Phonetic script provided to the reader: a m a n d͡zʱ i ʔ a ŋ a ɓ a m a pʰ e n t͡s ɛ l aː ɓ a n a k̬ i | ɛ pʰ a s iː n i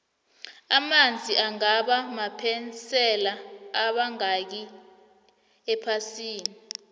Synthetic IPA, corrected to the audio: a m a n d͡zʱ i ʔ a ŋ a ɓ a m a pʰ ɛ n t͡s ɛ l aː ɓ a ŋ a k̬ i | ɛ pʰ a s iː n i